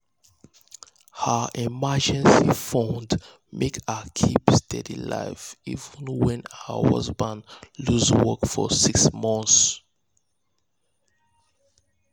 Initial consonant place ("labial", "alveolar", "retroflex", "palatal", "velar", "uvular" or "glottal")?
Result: glottal